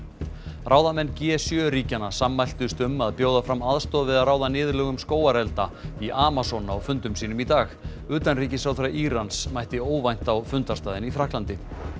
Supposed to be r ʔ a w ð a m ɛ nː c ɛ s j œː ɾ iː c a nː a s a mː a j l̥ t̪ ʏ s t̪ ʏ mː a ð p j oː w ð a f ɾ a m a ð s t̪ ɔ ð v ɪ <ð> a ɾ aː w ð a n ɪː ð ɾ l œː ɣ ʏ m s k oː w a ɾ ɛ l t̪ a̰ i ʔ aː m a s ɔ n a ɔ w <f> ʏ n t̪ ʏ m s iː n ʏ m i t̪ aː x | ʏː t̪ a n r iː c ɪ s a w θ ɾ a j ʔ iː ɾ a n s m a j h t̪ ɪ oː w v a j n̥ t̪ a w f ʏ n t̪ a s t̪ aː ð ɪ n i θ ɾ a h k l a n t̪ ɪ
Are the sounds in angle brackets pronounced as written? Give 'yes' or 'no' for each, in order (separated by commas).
yes, yes